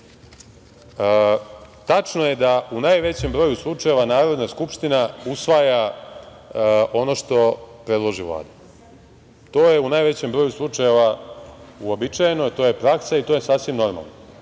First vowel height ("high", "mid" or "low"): low